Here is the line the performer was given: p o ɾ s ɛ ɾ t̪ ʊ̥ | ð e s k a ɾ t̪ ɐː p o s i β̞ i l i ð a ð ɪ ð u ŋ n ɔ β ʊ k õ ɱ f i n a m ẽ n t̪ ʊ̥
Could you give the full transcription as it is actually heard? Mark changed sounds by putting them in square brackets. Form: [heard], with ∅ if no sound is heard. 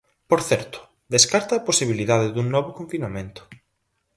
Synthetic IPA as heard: p o ɾ [θ] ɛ ɾ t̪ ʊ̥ | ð e s k a ɾ t̪ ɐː p o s i β̞ i l i ð a ð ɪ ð u ŋ n ɔ β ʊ k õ ɱ f i n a m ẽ n t̪ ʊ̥